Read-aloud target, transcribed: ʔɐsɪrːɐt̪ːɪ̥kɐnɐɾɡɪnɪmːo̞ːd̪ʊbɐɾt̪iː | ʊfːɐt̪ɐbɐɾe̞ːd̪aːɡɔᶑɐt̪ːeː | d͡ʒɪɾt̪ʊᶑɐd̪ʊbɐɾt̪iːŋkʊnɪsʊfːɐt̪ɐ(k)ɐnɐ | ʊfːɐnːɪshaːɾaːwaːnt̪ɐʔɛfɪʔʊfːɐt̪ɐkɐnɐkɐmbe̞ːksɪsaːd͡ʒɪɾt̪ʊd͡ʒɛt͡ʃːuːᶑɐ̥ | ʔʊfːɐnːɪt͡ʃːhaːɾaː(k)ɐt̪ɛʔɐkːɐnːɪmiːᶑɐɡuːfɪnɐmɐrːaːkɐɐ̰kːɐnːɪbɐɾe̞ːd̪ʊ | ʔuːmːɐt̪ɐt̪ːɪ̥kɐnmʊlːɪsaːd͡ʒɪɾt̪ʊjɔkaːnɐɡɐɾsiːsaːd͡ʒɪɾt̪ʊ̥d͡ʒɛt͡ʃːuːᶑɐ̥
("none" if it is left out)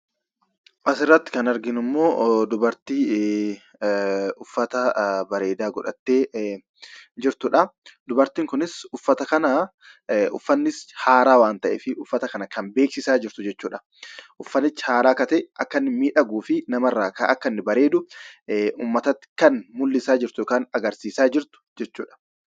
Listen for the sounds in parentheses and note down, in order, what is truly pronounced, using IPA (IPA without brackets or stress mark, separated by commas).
k, k